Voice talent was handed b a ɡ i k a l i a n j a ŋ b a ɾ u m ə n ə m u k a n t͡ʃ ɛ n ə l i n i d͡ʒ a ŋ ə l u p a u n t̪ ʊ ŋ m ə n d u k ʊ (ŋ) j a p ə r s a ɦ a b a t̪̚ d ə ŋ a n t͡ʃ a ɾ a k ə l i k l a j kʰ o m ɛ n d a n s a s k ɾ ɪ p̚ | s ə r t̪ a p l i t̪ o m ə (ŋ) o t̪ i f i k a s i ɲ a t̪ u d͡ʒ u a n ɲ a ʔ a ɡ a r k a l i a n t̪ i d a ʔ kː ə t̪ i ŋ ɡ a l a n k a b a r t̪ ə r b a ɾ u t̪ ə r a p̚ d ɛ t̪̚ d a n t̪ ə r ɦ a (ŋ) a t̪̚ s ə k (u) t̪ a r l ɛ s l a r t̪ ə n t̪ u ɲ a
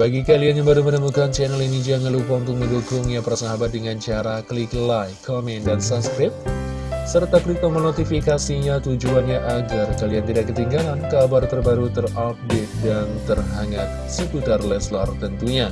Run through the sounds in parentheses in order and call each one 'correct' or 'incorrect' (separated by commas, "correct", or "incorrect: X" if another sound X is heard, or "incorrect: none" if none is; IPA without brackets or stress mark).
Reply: correct, incorrect: n, correct, correct